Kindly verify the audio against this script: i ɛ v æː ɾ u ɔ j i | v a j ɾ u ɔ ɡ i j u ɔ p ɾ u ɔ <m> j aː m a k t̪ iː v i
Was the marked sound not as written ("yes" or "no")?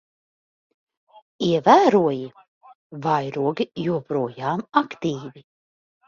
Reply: yes